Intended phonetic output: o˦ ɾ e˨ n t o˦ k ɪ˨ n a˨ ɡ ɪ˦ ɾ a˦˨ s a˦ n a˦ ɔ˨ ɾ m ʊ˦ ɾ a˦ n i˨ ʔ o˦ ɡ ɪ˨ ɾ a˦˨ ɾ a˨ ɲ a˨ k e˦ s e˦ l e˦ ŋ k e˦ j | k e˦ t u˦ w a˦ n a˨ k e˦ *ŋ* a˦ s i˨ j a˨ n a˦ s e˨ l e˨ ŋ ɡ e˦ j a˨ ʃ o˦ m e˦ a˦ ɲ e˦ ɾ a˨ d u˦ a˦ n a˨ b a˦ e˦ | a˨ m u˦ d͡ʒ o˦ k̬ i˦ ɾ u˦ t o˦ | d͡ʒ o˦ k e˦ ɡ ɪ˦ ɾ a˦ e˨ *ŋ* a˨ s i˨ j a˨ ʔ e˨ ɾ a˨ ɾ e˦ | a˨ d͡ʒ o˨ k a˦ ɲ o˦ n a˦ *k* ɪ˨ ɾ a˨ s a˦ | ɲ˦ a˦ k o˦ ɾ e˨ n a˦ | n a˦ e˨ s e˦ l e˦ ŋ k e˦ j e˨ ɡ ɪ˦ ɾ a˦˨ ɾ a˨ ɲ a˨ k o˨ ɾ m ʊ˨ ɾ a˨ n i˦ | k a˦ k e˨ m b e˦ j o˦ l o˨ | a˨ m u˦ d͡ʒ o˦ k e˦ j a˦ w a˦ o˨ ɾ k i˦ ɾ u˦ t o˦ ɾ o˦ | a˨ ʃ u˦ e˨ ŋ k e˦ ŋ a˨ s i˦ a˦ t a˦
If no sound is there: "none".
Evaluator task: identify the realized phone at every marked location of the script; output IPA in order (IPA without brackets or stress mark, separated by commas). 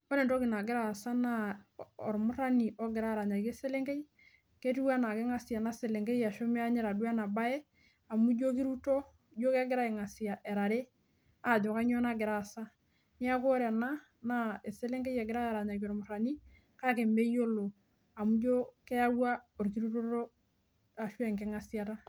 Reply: ŋ, ŋ, ɡ